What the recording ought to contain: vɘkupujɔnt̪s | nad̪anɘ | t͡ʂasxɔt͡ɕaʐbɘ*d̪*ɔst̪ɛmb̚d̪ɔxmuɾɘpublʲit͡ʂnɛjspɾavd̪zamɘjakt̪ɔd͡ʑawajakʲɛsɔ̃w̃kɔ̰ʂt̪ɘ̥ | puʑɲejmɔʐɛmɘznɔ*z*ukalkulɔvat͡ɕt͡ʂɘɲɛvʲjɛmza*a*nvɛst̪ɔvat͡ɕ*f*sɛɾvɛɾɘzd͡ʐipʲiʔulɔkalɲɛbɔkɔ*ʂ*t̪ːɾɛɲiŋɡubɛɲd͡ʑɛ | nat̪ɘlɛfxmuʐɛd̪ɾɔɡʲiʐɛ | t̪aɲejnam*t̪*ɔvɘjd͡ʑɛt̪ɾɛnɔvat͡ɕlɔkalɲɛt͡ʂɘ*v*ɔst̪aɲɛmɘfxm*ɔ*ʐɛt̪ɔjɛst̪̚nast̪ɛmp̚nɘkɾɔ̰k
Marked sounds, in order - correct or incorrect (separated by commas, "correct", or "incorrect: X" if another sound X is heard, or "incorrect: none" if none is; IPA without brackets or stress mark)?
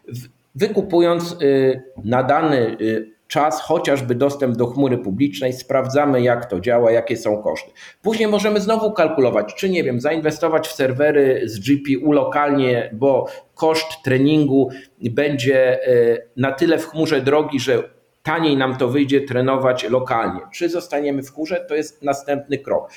correct, incorrect: v, incorrect: i, correct, correct, correct, incorrect: z, incorrect: u